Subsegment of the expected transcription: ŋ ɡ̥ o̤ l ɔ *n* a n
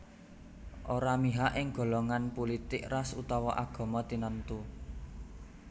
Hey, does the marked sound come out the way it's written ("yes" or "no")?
no